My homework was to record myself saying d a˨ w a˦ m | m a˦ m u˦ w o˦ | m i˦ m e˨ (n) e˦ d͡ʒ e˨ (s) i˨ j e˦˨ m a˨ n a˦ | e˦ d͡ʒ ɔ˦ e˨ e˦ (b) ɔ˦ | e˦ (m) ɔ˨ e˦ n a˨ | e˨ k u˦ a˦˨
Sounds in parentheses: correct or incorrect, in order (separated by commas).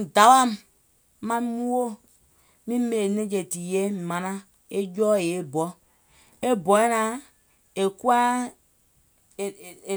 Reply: correct, incorrect, correct, incorrect